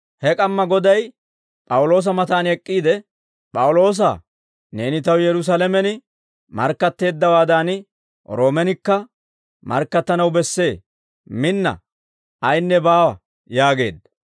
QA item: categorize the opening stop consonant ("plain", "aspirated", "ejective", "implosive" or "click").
ejective